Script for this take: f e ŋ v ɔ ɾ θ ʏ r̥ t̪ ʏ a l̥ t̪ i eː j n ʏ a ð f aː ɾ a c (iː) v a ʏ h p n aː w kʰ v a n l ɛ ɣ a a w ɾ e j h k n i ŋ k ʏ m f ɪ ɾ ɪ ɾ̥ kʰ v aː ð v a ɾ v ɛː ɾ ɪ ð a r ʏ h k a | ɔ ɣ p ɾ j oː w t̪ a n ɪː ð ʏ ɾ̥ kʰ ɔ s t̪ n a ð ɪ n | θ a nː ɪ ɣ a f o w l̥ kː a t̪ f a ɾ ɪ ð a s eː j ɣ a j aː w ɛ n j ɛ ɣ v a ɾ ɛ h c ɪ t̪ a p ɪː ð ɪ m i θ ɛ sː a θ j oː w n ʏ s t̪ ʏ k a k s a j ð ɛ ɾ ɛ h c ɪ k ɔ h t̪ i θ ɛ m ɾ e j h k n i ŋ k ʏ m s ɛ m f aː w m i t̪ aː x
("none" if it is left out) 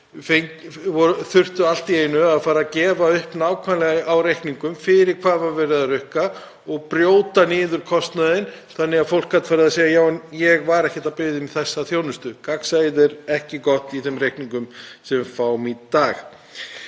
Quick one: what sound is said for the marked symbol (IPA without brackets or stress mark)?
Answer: ɛː